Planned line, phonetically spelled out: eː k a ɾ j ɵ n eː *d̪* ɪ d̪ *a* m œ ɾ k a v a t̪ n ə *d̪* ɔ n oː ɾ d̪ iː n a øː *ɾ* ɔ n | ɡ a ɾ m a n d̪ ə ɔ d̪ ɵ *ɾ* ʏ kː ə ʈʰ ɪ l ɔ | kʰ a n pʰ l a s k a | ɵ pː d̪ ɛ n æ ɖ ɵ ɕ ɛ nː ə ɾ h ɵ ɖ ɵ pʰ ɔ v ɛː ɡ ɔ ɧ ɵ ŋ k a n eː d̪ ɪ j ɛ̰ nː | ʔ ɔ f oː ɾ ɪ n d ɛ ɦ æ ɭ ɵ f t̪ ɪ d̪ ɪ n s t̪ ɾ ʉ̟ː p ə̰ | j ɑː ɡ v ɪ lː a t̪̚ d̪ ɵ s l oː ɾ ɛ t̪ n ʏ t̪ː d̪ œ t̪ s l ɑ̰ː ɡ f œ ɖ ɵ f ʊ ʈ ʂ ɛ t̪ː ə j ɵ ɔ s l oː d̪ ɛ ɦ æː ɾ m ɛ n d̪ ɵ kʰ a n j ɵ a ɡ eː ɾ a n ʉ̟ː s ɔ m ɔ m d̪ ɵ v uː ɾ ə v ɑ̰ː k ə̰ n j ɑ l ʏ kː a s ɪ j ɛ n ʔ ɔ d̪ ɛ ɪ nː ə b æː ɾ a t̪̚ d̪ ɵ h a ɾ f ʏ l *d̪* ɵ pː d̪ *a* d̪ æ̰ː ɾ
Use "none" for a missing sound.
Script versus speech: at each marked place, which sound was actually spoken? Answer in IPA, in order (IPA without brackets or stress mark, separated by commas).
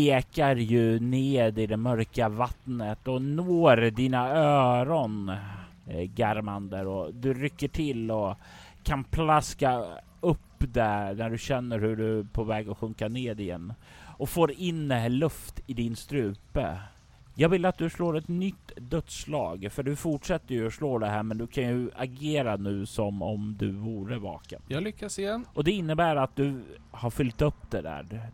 d̪, ɛ, t̪, ɾ, ɾ, t̪, ɛ